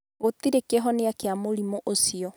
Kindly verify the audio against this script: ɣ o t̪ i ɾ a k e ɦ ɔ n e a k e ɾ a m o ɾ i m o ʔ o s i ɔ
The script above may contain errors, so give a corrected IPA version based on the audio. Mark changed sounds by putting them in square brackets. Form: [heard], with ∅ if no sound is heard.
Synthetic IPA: ɣ o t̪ i ɾ [e] k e ɦ ɔ n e a k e [∅] a m o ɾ i m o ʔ o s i ɔ

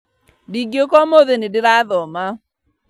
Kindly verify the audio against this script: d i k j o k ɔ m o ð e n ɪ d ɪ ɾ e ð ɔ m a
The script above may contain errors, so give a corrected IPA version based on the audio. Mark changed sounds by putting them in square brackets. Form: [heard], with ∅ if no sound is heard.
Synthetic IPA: d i [ɡ] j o k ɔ m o ð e n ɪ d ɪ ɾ [a] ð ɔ m a

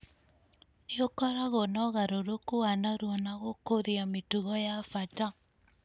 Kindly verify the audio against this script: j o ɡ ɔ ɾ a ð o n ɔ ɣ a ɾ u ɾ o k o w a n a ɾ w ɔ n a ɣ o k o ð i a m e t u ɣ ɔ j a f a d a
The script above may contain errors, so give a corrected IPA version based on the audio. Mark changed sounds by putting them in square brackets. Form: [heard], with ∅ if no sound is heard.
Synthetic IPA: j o [k] ɔ ɾ a [ɣ] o n ɔ ɣ a ɾ [o] ɾ o k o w a n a ɾ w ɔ n a ɣ o k o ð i a m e t u ɣ ɔ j a f a [t] a

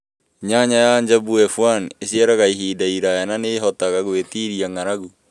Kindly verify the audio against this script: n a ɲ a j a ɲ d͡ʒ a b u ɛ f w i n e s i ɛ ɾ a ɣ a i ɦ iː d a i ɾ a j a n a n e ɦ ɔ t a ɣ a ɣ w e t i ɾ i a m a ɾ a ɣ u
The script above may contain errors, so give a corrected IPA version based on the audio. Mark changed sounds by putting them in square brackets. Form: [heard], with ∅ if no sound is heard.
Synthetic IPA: [ɲ] a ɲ a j a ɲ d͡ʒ a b u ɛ f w [a] n e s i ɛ ɾ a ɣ a i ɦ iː d a i ɾ a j a n a n e ɦ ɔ t a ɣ a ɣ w e t i ɾ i a [ŋ] a ɾ a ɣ u

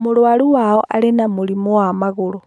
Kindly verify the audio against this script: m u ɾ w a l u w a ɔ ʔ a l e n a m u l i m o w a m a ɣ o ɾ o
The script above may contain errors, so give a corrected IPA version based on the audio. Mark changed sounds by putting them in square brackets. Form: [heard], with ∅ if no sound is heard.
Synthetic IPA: m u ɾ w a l u w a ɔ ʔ a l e n a m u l i m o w a m a ɣ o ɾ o

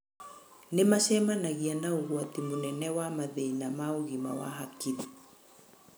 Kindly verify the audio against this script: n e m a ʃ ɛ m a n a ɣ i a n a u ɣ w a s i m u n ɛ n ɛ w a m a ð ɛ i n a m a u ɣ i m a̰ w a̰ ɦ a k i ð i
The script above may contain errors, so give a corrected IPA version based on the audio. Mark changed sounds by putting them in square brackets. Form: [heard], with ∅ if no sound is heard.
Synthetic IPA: n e m a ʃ ɛ m a n a ɣ i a n a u ɣ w a [t] i m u n ɛ n ɛ w a m a ð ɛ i n a m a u ɣ i m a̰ w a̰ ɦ a k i ð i

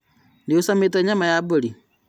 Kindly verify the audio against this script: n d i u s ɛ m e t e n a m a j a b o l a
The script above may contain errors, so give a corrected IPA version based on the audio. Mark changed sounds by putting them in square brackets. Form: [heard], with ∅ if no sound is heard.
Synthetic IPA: n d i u s [a] m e t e [ɲ] a m a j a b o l [i]

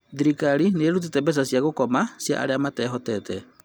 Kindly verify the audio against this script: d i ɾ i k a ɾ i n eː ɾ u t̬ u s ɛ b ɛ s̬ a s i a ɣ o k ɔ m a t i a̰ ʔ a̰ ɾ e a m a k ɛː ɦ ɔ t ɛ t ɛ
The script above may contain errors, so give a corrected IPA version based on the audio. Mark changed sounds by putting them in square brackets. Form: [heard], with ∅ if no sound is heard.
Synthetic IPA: d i ɾ i k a ɾ i n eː ɾ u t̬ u [t] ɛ b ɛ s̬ a s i a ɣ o k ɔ m a [s] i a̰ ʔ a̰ ɾ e a m a [t] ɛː ɦ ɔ t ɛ t ɛ

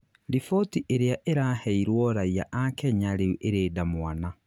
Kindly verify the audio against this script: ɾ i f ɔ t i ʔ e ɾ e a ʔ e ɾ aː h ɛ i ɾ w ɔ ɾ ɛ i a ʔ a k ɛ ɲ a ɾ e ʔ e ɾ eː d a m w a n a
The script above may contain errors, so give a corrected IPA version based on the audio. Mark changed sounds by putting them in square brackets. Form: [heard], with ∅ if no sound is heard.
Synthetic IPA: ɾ i f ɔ t i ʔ e ɾ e a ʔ e ɾ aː h ɛ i ɾ w ɔ ɾ [a] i a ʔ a k ɛ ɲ a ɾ e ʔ e ɾ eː d a m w a n a

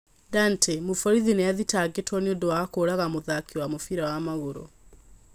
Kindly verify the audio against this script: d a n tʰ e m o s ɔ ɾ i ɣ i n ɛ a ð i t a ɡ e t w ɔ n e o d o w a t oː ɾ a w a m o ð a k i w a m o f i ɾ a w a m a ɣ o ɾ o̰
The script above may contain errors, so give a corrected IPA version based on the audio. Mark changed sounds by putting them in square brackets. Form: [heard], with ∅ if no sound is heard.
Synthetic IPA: d a n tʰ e m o [f] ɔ ɾ i [ð] i n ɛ a ð i t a ɡ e t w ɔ n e o d o w a [k] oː ɾ a [ɣ] a m o ð a k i w a m o f i ɾ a w a m a ɣ o ɾ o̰

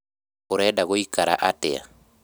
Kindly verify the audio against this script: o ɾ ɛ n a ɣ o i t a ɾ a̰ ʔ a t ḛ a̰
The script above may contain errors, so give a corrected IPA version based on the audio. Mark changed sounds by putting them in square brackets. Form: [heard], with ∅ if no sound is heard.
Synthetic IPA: o ɾ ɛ [d] a ɣ o i [k] a ɾ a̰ ʔ a t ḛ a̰

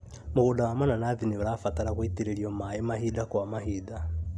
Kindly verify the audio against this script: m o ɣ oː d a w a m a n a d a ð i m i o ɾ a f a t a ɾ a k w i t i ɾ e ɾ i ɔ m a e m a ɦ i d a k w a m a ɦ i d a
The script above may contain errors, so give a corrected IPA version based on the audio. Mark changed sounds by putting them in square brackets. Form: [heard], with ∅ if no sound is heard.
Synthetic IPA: m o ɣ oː d a w a m a n a [n] a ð i [n] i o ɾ a f a t a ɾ a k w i t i ɾ e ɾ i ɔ m a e m a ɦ i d a k w a m a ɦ i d a

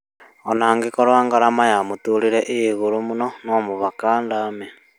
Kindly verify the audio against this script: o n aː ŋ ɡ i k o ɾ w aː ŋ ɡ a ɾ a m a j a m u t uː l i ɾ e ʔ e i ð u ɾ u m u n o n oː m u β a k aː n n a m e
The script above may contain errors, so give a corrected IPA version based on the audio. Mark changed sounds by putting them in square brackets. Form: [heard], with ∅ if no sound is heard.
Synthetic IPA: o n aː ŋ ɡ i k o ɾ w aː ŋ ɡ a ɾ a m a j a m u t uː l i ɾ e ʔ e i [ɣ] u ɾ u m u n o n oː m u β a k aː n [d] a m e

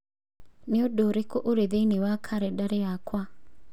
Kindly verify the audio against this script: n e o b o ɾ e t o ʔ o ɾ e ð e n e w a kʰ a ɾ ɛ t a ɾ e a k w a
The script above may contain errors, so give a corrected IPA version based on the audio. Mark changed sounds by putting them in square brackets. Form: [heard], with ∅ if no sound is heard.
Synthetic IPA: n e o [d] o ɾ e [k] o ʔ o ɾ e ð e n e w a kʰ a ɾ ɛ [d] a ɾ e a k w a

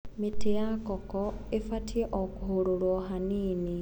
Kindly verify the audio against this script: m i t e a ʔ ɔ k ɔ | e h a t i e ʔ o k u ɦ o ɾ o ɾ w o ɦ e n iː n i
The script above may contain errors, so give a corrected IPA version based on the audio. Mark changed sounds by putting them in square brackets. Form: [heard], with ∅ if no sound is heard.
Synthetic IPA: m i t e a [k] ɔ k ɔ | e [f] a t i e ʔ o k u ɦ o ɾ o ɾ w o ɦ [a] n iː n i

